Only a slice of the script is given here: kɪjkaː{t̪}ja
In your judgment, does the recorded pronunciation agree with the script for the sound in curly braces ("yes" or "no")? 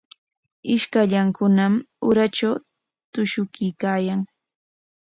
no